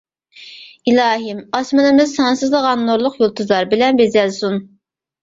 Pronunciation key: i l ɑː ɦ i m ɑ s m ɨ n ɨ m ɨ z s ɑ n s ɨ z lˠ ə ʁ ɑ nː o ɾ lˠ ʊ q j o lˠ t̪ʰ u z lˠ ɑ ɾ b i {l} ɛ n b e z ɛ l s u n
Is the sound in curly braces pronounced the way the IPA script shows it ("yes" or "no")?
yes